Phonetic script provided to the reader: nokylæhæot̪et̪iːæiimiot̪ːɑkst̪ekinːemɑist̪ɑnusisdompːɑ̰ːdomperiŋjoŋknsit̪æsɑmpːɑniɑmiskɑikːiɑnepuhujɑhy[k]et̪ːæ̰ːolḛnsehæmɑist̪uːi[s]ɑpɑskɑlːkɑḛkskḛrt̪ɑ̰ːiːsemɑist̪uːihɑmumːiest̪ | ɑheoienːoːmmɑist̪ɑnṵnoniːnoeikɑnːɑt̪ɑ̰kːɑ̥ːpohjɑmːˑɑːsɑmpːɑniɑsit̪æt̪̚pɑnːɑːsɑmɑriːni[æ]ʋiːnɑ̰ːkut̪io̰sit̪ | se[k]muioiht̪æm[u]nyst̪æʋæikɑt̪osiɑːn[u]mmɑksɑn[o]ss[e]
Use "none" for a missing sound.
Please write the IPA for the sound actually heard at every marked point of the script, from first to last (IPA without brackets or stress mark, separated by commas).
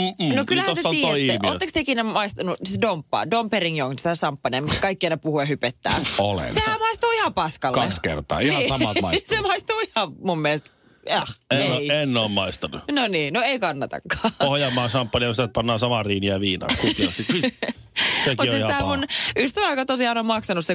p, h, æ, k, u, o, u, e